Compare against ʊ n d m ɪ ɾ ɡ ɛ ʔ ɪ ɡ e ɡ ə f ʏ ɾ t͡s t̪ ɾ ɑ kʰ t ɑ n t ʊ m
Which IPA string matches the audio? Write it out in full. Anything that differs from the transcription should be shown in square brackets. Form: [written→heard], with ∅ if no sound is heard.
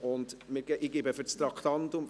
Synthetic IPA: ʊ n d m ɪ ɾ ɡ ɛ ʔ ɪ ɡ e [ɡ→b] ə f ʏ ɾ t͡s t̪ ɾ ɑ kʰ t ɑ n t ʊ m